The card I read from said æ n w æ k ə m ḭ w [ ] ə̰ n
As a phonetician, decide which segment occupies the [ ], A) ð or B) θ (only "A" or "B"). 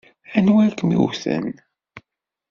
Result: B